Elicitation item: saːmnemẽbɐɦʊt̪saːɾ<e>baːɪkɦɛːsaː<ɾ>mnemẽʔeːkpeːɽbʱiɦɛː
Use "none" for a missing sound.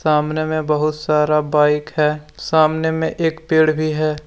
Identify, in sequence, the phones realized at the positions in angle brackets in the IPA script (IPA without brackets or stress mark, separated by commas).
a, none